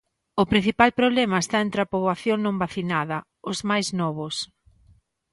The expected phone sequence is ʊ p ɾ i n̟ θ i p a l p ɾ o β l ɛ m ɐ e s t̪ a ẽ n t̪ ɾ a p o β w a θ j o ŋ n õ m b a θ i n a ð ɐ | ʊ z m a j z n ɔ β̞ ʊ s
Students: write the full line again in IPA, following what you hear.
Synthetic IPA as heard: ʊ p ɾ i n̟ θ i p a l p ɾ o β l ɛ m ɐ e s t̪ a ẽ n t̪ ɾ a p o β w a θ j o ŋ n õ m b a θ i n a ð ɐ | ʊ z m a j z n ɔ β̞ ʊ s